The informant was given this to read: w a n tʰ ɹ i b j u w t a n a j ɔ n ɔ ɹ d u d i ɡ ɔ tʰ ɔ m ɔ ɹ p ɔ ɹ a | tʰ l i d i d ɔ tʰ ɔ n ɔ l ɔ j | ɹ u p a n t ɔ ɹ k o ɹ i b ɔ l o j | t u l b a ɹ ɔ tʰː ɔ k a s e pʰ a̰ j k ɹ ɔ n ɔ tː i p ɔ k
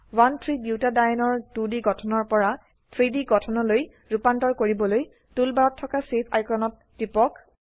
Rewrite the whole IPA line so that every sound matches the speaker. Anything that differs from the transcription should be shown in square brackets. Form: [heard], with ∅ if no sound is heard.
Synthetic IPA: w a n tʰ ɹ i b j u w t a [d] a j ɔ n ɔ ɹ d u d i ɡ ɔ tʰ ɔ [n] ɔ ɹ p ɔ ɹ a | tʰ [ɹ] i d i [ɡ] ɔ tʰ ɔ n ɔ l [o] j | ɹ u p a n t ɔ ɹ k o ɹ i b ɔ l o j | t u l b a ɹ ɔ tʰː ɔ k a s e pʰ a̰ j k ɹ ɔ n ɔ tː i p ɔ k